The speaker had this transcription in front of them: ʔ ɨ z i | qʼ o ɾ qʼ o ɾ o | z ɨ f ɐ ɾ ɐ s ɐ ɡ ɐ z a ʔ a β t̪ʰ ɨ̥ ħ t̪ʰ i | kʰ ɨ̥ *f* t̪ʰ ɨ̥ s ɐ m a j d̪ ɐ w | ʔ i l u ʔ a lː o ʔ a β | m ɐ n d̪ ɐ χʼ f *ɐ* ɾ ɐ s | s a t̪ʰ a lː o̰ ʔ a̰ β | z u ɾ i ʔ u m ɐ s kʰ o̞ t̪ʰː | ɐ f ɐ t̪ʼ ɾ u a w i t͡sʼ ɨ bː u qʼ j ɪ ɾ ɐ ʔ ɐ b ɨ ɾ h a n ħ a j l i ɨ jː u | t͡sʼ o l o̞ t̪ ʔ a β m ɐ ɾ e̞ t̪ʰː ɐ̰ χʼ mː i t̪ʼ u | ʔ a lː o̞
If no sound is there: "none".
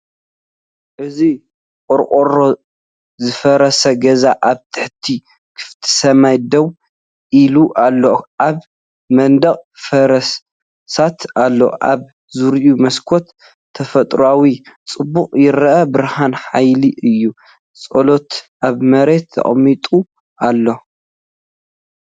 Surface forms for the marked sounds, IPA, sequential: f, ɐ

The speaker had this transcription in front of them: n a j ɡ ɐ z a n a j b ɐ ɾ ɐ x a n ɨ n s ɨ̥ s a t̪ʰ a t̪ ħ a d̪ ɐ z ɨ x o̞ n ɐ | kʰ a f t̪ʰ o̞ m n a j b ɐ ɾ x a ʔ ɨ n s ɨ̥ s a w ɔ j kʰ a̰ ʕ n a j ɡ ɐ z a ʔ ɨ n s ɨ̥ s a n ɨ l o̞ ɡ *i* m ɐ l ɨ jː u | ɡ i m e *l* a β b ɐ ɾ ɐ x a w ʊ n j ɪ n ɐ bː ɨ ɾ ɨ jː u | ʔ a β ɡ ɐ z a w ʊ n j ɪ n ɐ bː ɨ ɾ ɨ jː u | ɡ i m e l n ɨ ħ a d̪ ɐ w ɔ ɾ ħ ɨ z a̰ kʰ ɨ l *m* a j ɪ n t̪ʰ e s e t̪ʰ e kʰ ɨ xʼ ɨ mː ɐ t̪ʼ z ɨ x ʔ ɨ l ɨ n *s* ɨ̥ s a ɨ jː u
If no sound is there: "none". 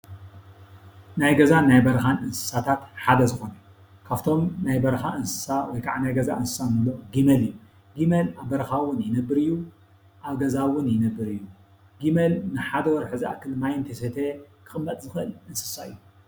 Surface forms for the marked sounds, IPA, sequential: i, l, m, s

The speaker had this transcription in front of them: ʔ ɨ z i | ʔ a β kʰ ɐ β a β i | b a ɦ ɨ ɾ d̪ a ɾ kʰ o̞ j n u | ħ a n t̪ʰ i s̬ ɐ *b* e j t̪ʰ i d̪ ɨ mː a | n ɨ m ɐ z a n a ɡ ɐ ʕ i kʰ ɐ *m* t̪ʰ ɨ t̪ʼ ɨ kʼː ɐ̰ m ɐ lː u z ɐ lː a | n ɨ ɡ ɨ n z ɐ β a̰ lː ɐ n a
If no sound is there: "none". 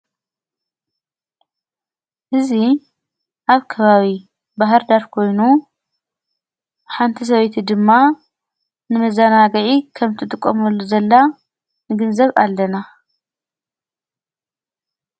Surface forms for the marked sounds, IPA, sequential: β, m

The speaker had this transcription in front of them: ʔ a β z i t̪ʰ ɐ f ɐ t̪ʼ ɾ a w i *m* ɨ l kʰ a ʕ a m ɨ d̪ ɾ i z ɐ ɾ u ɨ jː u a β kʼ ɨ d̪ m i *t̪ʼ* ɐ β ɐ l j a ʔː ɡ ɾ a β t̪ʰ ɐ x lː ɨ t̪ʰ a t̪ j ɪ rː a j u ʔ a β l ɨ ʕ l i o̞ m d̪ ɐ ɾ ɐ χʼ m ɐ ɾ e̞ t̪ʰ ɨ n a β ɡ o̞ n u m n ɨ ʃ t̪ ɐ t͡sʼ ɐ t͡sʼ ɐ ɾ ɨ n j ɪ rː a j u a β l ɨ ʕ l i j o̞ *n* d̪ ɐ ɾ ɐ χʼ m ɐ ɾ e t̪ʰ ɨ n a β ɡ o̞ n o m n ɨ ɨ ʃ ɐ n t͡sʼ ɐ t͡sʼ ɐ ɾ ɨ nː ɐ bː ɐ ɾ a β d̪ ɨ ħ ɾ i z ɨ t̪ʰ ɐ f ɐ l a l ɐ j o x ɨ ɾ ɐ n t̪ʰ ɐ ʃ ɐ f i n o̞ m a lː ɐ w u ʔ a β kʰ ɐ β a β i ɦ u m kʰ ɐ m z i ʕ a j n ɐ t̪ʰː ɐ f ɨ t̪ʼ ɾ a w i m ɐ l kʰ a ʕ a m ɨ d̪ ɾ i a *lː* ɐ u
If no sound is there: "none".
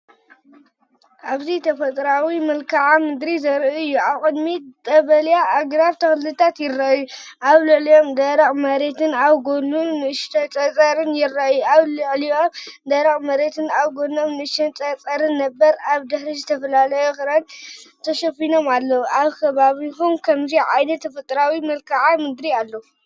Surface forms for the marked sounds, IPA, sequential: m, t̪ʼ, m, lː

